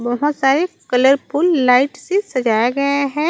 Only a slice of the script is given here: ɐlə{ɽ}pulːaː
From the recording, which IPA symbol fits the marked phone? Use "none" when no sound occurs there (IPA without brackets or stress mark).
ɾ